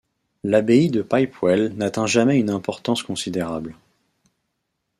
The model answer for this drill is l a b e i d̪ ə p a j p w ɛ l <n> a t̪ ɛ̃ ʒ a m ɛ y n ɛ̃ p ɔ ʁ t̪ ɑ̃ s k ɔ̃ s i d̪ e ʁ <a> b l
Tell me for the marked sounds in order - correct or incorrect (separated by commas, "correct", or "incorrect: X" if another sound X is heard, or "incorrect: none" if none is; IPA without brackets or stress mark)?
correct, correct